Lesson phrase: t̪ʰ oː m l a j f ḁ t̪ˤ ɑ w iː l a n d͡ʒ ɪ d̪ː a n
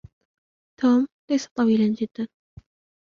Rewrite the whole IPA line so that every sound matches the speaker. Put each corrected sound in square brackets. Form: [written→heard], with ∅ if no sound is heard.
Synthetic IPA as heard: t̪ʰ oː m l a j [f→s] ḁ t̪ˤ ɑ w iː l a n d͡ʒ ɪ d̪ː a n